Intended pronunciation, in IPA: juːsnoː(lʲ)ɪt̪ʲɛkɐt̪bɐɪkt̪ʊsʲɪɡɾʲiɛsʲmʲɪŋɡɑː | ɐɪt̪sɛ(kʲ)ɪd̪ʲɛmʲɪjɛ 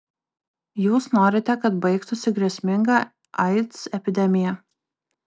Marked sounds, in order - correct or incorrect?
incorrect, incorrect

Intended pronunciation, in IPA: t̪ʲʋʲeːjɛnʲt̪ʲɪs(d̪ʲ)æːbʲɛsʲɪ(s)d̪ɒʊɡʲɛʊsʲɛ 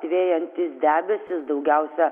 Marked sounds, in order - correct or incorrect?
correct, correct

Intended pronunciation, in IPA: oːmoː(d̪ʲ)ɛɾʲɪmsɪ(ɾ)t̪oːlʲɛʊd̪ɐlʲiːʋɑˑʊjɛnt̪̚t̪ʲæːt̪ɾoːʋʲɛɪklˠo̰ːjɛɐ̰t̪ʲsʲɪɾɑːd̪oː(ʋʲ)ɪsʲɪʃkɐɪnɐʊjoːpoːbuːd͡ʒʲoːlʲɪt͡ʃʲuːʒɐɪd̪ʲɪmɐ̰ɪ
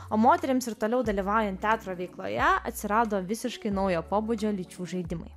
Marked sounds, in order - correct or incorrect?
incorrect, correct, correct

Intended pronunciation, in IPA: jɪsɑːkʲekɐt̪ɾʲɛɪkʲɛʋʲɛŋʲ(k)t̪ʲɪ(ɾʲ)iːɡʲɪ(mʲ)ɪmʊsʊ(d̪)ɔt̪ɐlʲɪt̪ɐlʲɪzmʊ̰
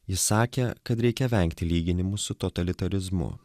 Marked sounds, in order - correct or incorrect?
correct, incorrect, incorrect, incorrect

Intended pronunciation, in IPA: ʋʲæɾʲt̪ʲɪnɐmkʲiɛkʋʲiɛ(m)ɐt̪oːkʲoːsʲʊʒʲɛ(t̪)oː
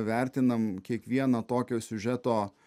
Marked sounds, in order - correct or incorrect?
incorrect, correct

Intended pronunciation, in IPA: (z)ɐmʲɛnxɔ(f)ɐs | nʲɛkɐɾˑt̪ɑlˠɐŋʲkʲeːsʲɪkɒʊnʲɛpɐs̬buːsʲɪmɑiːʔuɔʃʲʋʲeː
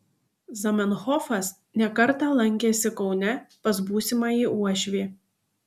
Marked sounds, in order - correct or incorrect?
correct, correct

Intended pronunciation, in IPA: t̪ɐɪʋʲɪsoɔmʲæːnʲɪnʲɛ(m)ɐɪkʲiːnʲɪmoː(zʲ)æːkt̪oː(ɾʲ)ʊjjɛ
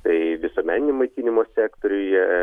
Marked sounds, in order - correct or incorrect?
correct, incorrect, correct

